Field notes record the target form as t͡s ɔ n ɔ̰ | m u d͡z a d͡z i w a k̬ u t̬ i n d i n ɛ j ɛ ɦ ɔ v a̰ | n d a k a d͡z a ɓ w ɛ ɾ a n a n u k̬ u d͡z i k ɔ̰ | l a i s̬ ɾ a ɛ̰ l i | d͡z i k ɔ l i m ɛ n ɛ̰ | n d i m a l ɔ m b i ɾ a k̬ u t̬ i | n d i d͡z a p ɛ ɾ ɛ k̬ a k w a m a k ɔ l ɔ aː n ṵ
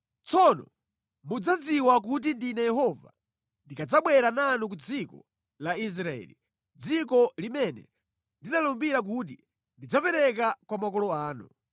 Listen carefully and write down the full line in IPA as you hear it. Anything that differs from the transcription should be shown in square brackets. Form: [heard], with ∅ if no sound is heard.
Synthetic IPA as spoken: t͡s ɔ n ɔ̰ | m u d͡z a d͡z i w a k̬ u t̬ i n d i n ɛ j ɛ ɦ ɔ v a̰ | n d [i] k a d͡z a ɓ w ɛ ɾ a n a n u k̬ u d͡z i k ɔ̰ | l a i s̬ ɾ a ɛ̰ l i | d͡z i k ɔ l i m ɛ n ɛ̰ | n d i [n] a l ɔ m b i ɾ a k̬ u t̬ i | n d i d͡z a p ɛ ɾ ɛ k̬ a k w a m a k ɔ l ɔ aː n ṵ